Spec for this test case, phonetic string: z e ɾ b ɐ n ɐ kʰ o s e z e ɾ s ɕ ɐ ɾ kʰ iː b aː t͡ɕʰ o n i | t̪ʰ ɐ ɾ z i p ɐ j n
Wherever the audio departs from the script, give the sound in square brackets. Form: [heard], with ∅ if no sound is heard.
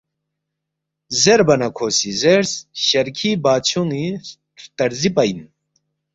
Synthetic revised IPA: z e ɾ b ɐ n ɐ kʰ o s [i] z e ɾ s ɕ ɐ ɾ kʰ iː b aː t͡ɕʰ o n i | [t̪] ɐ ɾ z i p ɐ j n